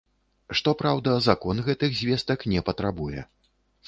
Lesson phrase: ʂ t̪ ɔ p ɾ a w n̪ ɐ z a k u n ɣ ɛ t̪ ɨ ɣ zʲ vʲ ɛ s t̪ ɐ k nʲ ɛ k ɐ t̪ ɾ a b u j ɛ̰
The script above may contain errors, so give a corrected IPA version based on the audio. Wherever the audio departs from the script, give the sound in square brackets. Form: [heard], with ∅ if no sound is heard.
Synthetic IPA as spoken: ʂ t̪ ɔ p ɾ a w [d̪] ɐ z a k [ɔ] n ɣ ɛ t̪ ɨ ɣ zʲ vʲ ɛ s t̪ ɐ k nʲ ɛ [p] ɐ t̪ ɾ a b u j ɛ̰